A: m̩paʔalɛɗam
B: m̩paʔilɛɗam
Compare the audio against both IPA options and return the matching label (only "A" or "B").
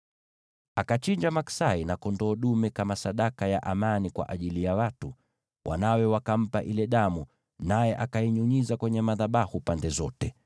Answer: B